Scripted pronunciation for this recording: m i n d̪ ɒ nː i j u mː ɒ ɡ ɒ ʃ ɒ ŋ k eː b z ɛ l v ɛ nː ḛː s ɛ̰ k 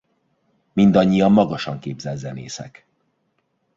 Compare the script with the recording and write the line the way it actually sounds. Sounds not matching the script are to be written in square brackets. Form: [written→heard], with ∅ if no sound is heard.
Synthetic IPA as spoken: m i n d̪ ɒ [nː→ɲː] i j [u→ɒ] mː ɒ ɡ ɒ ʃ ɒ ŋ k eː b z ɛ l [v→z] ɛ [nː→n] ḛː s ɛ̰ k